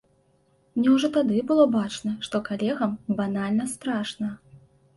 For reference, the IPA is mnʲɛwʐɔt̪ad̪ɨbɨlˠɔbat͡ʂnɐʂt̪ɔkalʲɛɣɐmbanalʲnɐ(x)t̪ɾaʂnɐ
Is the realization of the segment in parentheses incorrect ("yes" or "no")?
yes